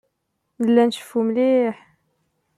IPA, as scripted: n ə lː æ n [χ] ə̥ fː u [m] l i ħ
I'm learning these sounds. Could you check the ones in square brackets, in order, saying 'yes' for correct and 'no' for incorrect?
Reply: no, yes

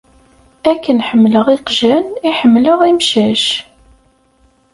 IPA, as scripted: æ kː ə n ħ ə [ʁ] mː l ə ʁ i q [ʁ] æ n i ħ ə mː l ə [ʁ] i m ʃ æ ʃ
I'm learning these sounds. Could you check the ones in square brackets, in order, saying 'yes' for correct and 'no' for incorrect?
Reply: no, no, yes

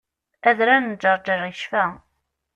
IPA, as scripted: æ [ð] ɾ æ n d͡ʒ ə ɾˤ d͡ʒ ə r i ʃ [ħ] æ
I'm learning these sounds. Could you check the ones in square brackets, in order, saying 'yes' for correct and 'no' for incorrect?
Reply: yes, no

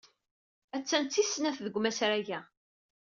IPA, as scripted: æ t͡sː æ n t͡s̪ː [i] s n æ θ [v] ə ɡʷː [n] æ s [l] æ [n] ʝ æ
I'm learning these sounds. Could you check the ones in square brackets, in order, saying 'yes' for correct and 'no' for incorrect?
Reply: yes, no, no, no, no

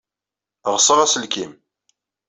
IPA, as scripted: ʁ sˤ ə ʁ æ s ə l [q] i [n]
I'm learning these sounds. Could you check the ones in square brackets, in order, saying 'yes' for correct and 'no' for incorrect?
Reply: no, no

